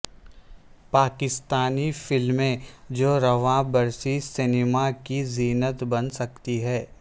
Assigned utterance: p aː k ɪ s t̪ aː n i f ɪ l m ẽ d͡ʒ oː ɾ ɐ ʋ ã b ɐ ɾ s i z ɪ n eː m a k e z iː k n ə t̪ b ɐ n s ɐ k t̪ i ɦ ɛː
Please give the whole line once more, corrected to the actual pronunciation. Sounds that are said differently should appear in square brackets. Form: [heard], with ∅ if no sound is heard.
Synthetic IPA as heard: p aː k ɪ s t̪ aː n i f ɪ l m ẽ d͡ʒ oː ɾ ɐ ʋ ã b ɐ ɾ s i [s] ɪ n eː m a k [i] z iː [∅] n ə t̪ b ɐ n s ɐ k t̪ i ɦ ɛː